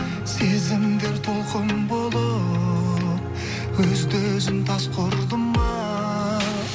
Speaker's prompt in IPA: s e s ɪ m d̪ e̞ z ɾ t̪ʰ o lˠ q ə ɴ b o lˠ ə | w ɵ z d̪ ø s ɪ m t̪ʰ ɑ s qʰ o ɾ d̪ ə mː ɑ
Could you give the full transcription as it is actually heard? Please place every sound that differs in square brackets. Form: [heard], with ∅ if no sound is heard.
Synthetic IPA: s e [z] ɪ m d̪ e̞ [∅] ɾ t̪ʰ o lˠ q ə [m] b o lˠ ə | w ɵ z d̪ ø [z] ɪ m t̪ʰ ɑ s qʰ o ɾ d̪ ə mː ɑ